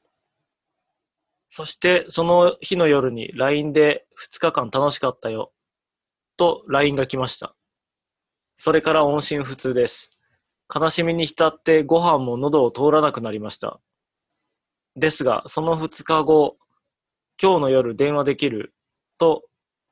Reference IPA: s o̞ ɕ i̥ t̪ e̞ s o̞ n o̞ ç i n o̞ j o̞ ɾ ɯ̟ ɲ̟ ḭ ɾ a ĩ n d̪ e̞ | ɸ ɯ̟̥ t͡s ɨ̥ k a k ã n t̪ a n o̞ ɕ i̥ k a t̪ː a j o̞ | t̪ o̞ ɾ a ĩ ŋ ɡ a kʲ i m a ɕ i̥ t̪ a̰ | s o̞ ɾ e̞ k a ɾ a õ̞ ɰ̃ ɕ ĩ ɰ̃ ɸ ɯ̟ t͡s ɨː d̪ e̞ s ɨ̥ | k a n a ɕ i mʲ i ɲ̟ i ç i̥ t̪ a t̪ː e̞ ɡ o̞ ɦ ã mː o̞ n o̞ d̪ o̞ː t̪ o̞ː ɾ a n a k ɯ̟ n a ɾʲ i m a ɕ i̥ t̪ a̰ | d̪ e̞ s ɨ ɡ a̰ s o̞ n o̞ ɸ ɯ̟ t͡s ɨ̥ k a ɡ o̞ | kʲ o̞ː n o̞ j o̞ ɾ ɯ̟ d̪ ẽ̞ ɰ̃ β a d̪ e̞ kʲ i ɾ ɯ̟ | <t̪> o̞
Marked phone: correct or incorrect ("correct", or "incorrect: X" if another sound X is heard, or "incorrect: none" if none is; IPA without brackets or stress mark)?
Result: correct